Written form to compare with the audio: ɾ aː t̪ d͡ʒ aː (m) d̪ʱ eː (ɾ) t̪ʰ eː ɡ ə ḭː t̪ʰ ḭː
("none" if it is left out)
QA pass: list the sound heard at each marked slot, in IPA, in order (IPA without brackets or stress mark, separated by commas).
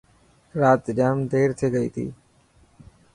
m, ɾ